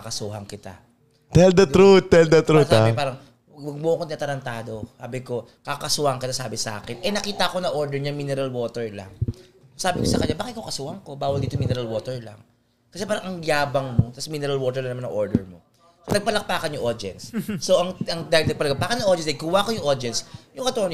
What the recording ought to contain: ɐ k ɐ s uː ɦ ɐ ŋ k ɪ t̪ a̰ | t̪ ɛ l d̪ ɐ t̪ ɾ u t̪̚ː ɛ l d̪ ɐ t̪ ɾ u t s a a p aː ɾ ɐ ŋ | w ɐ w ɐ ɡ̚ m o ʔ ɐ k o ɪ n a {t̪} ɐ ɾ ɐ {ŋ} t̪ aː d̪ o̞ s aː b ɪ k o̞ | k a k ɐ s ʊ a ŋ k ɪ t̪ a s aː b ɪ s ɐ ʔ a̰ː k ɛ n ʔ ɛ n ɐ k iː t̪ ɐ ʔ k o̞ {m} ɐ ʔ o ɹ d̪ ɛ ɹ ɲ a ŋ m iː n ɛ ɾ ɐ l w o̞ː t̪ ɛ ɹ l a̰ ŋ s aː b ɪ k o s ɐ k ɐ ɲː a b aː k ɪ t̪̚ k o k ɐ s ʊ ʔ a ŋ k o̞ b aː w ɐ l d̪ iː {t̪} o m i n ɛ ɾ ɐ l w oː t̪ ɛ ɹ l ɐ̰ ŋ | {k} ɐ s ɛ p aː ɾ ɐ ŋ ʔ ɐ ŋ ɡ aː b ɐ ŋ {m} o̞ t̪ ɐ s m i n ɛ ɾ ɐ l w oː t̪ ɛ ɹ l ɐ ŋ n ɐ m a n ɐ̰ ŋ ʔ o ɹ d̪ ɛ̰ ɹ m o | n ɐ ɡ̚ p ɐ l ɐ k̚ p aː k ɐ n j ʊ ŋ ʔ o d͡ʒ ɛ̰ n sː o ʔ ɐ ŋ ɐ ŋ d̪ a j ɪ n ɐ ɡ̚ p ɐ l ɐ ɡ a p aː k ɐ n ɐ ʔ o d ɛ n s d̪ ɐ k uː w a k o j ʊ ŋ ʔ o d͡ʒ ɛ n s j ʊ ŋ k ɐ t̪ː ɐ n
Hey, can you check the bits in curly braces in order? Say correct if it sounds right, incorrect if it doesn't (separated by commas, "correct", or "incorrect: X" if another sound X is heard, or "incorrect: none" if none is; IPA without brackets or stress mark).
correct, incorrect: n, incorrect: n, correct, correct, correct